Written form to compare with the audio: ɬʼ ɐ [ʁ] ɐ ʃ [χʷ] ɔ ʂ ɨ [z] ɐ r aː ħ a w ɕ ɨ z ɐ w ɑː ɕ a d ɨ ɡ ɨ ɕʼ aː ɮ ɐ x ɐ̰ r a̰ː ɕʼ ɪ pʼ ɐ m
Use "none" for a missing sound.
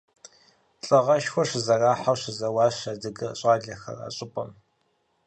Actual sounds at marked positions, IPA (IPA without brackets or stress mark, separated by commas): ʁ, xʷ, z